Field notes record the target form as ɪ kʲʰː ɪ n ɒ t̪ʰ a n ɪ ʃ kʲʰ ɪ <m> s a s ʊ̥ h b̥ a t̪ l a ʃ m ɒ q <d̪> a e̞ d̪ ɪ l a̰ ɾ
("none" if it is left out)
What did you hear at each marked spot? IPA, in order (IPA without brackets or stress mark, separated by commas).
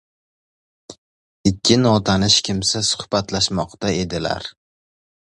m, t̪